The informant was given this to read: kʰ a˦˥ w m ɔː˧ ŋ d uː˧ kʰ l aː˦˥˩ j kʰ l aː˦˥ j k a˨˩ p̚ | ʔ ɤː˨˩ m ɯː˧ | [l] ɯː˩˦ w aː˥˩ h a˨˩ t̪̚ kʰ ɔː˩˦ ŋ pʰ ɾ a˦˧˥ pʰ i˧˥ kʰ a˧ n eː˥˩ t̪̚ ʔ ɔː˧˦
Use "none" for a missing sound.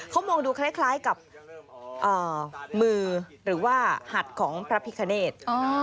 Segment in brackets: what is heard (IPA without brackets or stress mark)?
ɾ